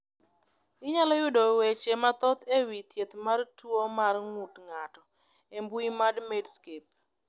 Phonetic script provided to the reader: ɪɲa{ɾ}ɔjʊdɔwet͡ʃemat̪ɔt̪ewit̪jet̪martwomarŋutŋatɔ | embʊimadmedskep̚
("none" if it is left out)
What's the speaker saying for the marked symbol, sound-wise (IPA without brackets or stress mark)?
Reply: l